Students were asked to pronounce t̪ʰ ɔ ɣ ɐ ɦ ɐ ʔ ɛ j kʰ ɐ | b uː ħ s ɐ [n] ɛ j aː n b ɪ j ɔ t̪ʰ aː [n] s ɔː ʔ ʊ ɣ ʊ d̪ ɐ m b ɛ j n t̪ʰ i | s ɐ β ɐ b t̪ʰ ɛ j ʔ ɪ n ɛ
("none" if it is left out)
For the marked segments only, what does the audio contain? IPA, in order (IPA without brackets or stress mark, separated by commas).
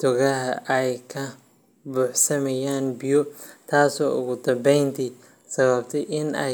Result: m, none